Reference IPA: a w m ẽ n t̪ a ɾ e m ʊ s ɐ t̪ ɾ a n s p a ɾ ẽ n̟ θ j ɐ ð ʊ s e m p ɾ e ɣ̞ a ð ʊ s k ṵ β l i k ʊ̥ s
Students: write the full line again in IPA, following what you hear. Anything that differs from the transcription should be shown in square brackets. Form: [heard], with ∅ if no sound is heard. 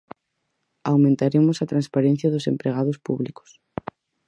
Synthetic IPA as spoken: a w m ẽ n t̪ a ɾ e m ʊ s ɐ t̪ ɾ a n s p a ɾ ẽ n̟ θ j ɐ ð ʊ s e m p ɾ e ɣ̞ a ð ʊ s [p] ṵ β l i k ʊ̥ s